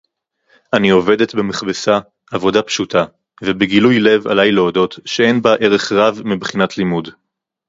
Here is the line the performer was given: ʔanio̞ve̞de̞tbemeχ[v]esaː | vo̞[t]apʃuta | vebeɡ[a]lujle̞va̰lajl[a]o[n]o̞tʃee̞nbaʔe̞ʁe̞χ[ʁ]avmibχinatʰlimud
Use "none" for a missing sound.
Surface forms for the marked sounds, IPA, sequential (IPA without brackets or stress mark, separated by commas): b, d, i, e, d, ʁ